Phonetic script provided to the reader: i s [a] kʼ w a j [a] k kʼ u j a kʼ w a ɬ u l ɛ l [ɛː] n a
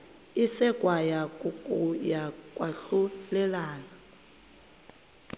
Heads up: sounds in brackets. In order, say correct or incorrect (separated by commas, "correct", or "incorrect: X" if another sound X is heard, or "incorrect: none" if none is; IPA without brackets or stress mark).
incorrect: ɛ, correct, incorrect: aː